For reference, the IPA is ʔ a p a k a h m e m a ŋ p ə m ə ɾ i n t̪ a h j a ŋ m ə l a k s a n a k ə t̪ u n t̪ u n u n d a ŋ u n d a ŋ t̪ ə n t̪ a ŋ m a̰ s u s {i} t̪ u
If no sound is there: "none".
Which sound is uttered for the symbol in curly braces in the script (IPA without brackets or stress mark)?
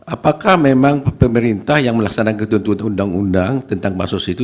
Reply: i